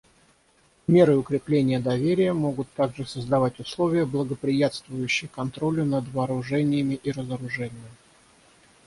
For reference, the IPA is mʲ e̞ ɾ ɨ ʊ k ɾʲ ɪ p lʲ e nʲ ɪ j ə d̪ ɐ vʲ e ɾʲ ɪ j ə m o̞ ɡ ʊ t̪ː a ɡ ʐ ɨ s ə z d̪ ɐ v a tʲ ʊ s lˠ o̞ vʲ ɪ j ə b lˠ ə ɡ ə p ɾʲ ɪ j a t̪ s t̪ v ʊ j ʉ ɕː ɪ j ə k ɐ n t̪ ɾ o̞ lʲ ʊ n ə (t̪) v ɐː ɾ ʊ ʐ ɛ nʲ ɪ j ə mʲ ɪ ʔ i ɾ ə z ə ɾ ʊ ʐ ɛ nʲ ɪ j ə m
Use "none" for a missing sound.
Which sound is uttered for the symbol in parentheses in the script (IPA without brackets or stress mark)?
d̪